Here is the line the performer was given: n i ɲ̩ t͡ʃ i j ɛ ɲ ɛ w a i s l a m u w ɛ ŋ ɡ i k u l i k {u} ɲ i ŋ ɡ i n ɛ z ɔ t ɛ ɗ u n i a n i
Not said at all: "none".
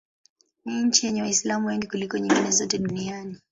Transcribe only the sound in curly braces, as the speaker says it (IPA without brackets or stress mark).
ɔ